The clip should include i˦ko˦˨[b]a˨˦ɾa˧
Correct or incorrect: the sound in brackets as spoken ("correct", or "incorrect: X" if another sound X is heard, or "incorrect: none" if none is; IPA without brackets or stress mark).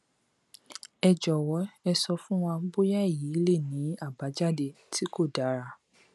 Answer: incorrect: d